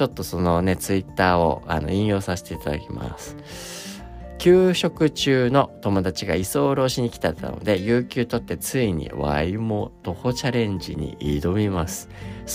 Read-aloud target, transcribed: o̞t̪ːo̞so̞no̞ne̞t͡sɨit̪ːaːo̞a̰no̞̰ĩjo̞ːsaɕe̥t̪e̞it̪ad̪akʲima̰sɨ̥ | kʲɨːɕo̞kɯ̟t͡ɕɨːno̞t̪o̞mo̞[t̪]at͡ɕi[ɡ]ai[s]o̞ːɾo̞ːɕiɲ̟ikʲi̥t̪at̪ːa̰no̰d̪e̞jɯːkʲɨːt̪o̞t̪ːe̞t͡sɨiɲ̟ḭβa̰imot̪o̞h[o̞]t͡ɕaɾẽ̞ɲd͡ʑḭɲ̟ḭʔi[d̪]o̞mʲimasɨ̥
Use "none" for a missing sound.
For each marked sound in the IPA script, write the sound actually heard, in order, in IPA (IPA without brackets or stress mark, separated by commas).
d̪, ɡ, s, o̞, d̪